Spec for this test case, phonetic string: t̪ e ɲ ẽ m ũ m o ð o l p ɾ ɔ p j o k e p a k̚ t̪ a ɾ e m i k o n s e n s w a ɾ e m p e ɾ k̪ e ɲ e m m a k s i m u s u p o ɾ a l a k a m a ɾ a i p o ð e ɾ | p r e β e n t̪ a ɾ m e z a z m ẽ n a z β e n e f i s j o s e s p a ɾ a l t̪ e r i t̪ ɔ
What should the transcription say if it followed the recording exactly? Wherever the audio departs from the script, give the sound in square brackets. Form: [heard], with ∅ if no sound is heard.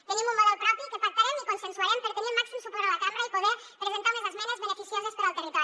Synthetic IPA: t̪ e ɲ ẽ m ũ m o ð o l p ɾ ɔ p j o k e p a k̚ t̪ a ɾ e m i k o n s e n s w a ɾ e m p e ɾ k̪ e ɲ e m m a k s i m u s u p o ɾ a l a k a m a ɾ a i p o ð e ɾ | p [ɾ] e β e n t̪ a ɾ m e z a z m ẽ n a z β e n e f i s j o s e s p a ɾ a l t̪ e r i t̪ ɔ